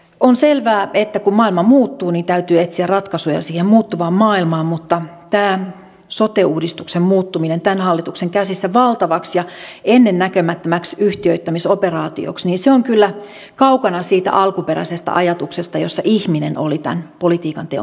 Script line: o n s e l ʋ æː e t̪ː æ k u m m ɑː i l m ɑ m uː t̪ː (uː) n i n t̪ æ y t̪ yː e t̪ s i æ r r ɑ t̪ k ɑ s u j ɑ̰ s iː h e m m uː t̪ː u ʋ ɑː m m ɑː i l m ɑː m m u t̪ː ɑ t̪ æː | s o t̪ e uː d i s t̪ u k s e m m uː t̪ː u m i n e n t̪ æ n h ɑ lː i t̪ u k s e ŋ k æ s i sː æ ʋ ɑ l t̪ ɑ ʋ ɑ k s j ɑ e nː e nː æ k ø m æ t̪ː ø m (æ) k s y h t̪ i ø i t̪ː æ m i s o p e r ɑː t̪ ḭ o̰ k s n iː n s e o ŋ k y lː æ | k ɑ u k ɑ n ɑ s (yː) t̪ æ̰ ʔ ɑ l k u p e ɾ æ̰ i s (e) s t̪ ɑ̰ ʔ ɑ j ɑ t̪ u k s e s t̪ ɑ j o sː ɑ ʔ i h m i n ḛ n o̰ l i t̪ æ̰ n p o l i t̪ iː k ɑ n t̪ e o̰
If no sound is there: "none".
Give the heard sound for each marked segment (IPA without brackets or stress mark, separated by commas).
uː, æ, iː, e